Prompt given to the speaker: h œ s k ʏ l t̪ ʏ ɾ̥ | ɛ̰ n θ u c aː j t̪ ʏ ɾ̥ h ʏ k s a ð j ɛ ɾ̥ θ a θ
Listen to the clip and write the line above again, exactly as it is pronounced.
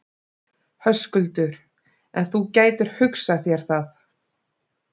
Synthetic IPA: h œ s k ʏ l t̪ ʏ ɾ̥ | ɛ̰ n θ u c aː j t̪ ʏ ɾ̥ h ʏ k s a θ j ɛ ɾ̥ θ a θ